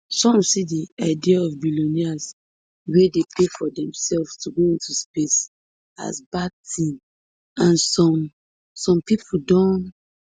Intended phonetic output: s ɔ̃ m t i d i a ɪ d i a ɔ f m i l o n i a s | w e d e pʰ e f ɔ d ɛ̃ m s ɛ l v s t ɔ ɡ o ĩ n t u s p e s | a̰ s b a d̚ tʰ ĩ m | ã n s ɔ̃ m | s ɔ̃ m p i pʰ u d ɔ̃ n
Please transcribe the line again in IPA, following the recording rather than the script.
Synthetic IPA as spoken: s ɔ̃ m s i d i a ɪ d i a ɔ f b i l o n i a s | w e d e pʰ e f ɔ d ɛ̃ m s ɛ l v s t u ɡ o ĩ n t u s p e s | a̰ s b a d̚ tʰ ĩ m | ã n s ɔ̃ m | s ɔ̃ m p i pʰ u d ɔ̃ n